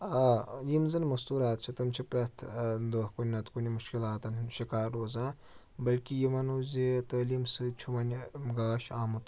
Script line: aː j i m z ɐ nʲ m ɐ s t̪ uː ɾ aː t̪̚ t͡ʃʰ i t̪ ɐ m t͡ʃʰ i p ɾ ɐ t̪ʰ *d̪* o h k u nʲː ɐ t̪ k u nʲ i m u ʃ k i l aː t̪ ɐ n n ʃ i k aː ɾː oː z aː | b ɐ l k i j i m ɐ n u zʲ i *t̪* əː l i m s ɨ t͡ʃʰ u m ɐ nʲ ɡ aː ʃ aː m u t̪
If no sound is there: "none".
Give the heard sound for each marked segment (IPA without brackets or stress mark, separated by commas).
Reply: d̪, t̪